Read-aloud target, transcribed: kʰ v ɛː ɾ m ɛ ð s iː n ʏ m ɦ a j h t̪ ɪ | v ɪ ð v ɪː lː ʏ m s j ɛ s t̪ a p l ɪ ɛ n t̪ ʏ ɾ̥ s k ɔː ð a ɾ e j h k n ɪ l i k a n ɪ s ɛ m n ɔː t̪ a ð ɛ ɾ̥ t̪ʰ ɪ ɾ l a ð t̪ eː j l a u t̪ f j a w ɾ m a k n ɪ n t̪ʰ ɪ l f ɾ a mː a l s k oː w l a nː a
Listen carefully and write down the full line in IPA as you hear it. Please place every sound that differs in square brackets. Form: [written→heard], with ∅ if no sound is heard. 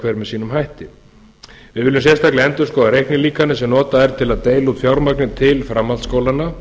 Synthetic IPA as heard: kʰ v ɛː ɾ m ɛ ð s iː n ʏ m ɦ a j h t̪ ɪ | v ɪ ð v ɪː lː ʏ m s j ɛ s t̪ a [p→k] l ɪ ɛ n t̪ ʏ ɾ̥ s k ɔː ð a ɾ e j h k n ɪ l [i→iː] k a n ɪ s ɛ m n ɔː t̪ a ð ɛ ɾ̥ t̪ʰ ɪ [ɾ→∅] l a ð t̪ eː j l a u t̪ f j a w ɾ m a k n ɪ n t̪ʰ ɪ l f ɾ a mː a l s k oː w l a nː a